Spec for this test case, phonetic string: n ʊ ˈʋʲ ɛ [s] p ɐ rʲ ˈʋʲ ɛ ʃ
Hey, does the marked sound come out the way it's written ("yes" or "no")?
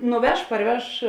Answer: no